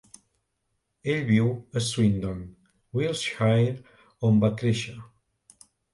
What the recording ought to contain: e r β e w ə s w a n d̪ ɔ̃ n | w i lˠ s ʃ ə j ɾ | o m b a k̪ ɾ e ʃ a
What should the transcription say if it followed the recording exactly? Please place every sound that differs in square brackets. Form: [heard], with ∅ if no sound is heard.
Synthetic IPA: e [ʎ] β [i] w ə s w [i] n d̪ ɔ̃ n | w i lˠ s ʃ [a] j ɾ | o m b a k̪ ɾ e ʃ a